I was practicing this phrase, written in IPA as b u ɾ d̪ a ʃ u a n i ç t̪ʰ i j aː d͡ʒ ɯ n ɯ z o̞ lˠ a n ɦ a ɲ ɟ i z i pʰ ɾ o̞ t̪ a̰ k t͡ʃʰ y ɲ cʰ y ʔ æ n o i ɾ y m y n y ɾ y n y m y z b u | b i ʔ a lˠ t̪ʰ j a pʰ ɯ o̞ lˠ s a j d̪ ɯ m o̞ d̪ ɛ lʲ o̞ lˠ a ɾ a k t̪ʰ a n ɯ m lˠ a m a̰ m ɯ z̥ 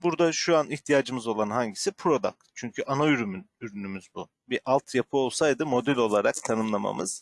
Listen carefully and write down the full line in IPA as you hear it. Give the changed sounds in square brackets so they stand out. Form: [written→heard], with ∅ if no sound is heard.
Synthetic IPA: b u ɾ d̪ a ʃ u a n i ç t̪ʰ i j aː d͡ʒ ɯ [n→m] ɯ z o̞ lˠ a n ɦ a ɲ ɟ i [z→s] i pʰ ɾ o̞ [t̪→d̪] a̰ k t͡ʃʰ y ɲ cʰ y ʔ [æ→a] n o [i→y] ɾ y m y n y ɾ y n y m y z b u | b i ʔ a lˠ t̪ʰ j a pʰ ɯ o̞ lˠ s a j d̪ ɯ m o̞ d̪ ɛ lʲ o̞ lˠ a ɾ a k t̪ʰ a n ɯ m lˠ a m a̰ m ɯ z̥